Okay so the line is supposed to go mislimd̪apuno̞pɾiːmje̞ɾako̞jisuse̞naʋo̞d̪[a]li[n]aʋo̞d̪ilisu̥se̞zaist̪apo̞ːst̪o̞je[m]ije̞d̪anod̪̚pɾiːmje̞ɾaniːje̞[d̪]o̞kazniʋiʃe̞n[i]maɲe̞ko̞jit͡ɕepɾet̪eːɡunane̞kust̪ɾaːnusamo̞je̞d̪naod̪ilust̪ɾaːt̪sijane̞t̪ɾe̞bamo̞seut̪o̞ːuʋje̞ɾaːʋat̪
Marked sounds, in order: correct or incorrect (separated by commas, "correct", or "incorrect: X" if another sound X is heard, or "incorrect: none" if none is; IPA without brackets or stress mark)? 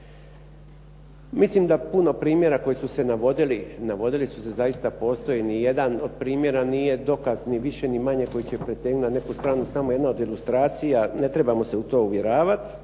incorrect: i, correct, incorrect: n, correct, correct